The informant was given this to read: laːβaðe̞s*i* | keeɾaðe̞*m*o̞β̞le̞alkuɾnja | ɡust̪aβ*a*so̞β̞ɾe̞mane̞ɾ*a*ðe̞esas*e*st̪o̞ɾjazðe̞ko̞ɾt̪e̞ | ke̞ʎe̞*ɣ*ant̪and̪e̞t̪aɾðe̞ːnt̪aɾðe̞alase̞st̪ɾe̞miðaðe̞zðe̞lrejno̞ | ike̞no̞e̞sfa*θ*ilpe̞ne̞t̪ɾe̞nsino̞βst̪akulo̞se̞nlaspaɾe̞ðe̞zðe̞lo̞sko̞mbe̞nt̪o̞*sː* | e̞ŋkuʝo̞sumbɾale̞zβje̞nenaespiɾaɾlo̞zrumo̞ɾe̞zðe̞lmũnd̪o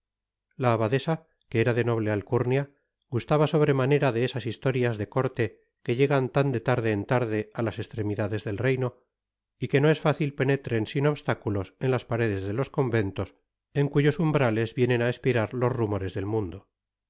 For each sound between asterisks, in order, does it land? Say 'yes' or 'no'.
no, no, yes, yes, no, yes, yes, no

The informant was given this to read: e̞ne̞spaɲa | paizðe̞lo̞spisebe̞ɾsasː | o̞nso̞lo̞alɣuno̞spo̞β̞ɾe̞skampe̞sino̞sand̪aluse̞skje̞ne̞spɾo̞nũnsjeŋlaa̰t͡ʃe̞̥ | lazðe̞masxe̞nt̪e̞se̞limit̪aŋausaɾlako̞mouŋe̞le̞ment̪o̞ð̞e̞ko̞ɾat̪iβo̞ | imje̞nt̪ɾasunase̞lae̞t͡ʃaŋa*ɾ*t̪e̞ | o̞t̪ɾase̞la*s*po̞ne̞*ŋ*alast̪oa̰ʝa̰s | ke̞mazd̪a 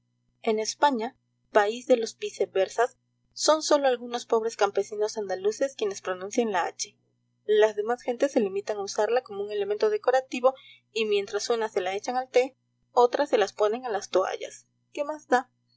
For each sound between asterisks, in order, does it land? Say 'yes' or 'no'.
no, yes, yes

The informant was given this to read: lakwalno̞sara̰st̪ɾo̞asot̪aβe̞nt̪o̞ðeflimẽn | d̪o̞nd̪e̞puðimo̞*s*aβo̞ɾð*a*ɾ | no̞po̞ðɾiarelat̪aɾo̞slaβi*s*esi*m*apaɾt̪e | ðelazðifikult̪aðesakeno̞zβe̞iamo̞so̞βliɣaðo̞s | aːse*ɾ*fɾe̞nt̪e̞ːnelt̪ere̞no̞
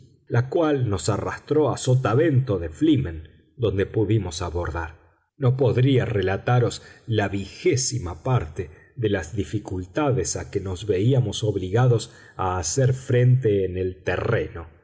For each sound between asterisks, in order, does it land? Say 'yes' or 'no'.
yes, yes, no, yes, yes

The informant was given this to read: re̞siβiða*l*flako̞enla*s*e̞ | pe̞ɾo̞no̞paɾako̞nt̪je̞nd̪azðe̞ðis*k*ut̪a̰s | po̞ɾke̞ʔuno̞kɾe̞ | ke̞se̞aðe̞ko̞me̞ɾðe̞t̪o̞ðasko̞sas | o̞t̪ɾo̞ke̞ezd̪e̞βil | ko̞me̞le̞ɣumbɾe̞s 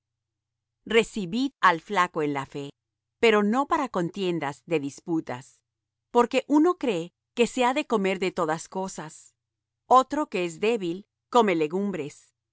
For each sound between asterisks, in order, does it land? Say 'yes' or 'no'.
yes, no, no

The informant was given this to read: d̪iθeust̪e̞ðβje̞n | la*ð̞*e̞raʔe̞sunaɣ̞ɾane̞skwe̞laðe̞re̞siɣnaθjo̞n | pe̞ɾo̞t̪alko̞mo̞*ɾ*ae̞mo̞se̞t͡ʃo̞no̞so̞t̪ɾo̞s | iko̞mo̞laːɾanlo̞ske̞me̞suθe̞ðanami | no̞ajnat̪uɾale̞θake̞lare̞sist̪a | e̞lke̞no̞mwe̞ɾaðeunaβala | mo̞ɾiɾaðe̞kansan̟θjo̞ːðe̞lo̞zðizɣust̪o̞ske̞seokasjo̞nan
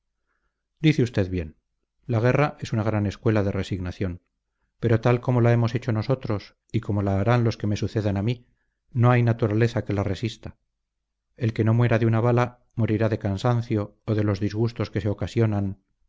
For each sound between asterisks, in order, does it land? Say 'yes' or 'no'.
no, no

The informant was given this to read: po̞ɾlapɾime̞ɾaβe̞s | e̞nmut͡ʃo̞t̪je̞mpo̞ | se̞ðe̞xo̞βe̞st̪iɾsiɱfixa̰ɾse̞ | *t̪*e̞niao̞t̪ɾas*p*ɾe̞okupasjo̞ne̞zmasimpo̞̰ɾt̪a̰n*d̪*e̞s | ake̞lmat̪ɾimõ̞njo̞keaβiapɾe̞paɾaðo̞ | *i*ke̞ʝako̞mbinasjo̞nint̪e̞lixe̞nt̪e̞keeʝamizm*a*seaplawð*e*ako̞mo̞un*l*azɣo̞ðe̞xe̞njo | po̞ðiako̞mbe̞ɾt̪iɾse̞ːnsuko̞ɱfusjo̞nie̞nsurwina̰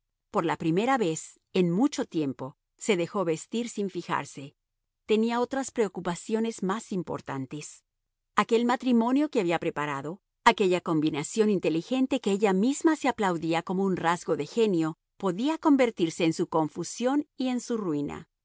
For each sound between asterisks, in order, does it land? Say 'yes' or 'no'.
yes, yes, no, no, yes, no, no

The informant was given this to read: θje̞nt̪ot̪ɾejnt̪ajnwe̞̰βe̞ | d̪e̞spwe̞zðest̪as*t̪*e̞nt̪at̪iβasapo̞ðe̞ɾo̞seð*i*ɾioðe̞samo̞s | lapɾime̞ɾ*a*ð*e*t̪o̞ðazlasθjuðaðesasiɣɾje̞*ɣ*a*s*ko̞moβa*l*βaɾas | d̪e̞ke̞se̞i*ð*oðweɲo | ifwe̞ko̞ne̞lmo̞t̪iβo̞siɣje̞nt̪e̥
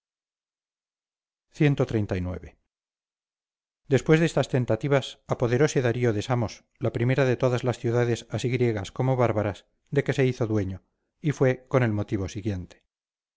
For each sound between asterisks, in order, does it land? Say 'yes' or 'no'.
yes, no, yes, yes, yes, yes, no, no

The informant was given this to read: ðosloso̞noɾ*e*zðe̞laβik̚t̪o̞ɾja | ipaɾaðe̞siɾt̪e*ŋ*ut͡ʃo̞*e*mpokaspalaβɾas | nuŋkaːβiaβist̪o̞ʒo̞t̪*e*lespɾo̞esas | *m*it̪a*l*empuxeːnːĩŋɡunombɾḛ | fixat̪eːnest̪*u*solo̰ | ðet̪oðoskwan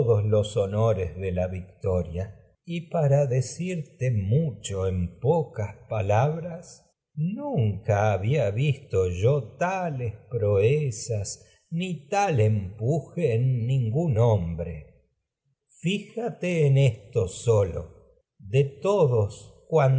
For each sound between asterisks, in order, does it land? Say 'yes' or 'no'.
yes, no, yes, no, no, yes, no

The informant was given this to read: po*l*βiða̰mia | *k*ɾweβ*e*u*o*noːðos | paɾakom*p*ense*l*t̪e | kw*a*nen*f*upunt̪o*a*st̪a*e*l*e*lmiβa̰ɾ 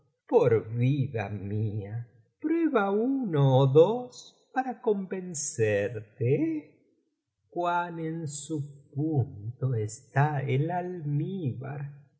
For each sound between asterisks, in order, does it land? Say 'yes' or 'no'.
no, no, no, no, no, no, yes, no, no, yes, no

